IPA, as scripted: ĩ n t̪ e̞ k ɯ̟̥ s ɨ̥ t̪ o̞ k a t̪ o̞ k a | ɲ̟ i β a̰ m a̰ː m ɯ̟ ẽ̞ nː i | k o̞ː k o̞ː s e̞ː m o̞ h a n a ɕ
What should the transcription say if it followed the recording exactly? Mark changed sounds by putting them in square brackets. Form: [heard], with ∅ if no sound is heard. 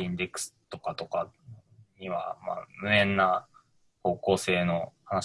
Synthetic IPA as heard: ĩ n [d̪] e̞ k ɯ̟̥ s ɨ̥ t̪ o̞ k a t̪ o̞ k a | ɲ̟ i β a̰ m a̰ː m ɯ̟ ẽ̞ nː [a] | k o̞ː k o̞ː s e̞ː [n] o̞ h a n a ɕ